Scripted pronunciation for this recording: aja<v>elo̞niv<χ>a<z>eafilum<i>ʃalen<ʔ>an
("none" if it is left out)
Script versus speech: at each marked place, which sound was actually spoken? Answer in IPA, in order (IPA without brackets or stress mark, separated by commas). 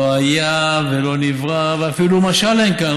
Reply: v, ʁ, v, a, k